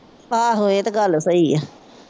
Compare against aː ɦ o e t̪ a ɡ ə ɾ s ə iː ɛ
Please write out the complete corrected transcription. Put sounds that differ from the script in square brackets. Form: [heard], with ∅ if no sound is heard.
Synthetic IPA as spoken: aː ɦ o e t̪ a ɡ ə [l] s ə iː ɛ